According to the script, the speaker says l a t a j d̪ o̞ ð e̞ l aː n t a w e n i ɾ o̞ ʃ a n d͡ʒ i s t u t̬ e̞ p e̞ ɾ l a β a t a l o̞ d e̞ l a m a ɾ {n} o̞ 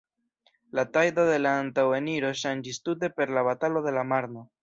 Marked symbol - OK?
yes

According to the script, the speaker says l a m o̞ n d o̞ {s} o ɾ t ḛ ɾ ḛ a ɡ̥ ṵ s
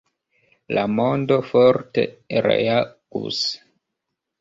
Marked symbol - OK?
no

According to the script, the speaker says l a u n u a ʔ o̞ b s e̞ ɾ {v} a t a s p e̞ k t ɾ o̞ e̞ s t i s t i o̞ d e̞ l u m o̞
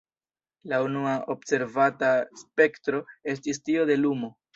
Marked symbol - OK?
yes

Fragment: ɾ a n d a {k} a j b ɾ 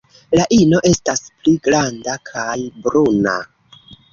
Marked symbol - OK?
no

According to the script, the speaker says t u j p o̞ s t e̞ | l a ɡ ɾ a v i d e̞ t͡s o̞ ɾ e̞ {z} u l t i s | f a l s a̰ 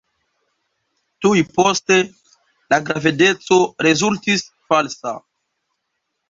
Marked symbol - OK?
yes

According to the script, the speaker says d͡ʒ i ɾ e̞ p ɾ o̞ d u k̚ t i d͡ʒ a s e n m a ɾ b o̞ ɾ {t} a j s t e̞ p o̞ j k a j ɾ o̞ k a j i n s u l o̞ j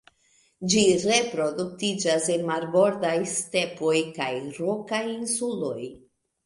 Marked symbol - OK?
no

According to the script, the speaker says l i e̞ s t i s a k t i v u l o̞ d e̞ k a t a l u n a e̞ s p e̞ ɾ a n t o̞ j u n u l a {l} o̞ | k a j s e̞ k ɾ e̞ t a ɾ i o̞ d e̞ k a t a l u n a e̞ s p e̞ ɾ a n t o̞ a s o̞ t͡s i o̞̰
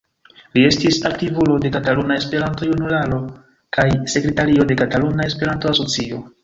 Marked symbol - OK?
yes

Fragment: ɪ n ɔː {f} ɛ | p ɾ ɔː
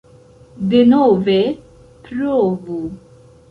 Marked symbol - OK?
no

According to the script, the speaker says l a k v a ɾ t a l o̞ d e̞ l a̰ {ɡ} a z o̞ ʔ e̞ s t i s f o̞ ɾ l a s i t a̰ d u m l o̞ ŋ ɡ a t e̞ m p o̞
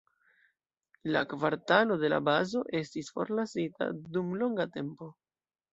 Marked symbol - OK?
no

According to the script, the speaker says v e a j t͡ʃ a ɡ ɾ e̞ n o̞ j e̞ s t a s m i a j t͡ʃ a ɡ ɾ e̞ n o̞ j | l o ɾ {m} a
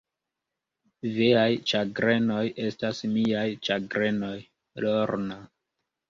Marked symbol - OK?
no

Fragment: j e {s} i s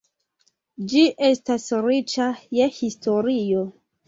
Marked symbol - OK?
no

